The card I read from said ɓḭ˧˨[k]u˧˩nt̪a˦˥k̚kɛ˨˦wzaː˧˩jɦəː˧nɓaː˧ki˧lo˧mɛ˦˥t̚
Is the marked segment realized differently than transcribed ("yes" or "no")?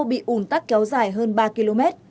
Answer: yes